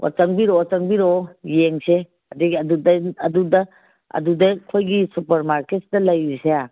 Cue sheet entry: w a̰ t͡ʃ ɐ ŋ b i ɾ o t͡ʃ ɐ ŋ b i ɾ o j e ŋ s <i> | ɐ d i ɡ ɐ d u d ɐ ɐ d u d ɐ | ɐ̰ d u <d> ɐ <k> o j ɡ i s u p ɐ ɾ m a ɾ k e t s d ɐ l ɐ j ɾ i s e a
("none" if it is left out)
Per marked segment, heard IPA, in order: e, d, kʰ

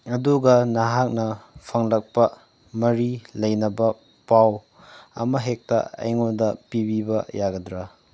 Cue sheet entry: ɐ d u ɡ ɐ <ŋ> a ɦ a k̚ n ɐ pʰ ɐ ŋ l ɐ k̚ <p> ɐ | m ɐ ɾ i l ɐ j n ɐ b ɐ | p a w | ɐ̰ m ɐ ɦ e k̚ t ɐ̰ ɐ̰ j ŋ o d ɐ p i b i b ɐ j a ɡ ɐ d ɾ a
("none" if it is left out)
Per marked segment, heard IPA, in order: n, p

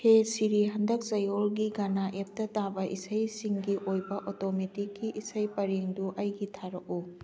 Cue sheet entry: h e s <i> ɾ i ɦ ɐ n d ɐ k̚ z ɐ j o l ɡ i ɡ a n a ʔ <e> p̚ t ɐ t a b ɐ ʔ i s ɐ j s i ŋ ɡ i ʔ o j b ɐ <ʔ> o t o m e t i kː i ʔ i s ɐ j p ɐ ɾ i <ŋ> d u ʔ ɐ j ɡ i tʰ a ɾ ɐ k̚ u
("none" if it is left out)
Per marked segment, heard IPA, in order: i, e, ʔ, ŋ

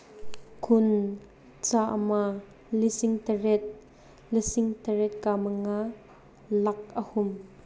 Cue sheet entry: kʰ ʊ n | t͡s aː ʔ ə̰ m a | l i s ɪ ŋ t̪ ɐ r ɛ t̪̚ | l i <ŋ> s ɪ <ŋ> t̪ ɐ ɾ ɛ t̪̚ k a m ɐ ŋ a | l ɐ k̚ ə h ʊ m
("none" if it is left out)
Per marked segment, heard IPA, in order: none, ŋ

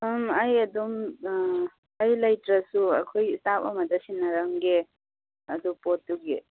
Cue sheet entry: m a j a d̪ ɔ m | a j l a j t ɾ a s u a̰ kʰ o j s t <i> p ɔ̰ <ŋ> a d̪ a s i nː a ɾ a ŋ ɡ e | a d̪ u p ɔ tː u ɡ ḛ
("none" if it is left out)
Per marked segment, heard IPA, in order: a, m

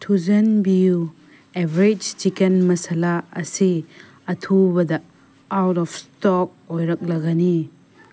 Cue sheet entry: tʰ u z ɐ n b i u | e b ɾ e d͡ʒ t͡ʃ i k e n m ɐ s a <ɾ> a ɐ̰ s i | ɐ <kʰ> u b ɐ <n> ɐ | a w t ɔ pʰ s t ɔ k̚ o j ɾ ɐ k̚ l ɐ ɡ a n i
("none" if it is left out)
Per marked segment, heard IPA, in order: l, tʰ, d

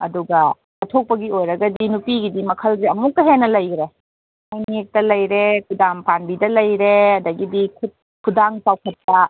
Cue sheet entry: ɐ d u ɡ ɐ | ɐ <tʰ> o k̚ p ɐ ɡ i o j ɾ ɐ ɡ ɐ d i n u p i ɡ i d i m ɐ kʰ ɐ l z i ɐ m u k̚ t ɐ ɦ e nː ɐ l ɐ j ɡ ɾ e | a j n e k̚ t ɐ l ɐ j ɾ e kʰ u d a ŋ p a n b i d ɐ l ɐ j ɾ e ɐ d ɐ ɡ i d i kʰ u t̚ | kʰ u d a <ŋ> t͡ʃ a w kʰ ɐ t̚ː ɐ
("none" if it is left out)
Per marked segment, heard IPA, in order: tʰ, ŋ

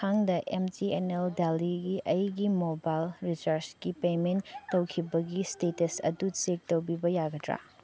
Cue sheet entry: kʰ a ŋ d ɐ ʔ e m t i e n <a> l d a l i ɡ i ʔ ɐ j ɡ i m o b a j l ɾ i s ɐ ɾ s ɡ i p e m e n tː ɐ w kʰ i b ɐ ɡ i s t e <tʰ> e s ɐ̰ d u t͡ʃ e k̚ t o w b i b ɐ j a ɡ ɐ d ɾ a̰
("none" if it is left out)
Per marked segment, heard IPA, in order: e, t

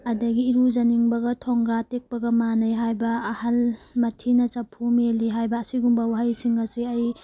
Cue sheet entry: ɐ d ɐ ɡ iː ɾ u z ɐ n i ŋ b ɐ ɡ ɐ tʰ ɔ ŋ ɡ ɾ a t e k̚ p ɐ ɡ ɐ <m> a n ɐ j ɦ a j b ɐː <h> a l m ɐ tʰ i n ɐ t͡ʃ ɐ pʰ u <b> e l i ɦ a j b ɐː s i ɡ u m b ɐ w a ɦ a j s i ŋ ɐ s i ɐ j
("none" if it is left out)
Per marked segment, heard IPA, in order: m, h, m

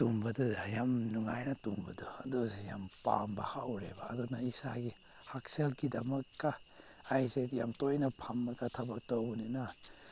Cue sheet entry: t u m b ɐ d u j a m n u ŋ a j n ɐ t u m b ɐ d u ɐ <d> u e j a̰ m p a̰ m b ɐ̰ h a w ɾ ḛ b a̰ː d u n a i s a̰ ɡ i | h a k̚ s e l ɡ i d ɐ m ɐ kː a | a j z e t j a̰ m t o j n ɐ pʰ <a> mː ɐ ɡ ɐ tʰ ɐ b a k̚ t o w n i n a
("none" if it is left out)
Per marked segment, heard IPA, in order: d, a

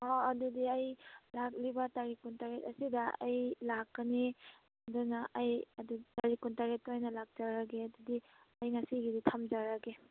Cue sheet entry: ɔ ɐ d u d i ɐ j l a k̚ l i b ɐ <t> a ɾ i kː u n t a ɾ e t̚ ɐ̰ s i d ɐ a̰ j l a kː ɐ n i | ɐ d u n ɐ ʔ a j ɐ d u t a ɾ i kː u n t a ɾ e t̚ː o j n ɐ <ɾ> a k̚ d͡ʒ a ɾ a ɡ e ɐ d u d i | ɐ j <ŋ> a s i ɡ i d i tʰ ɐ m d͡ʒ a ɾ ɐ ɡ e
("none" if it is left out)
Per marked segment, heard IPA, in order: t, l, ŋ

